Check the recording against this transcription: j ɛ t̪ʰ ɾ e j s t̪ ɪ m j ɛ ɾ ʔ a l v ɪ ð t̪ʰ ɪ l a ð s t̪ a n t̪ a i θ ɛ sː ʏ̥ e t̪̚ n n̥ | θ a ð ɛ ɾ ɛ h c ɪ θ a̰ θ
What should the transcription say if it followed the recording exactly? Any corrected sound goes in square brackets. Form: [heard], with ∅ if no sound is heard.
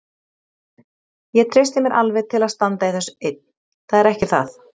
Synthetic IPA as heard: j ɛ t̪ʰ ɾ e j s t̪ ɪ m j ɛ ɾ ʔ a l v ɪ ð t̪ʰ ɪ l a ð s t̪ a n t̪ a i θ ɛ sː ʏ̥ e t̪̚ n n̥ | θ a ð ɛ ɾ ɛ h c ɪ θ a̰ θ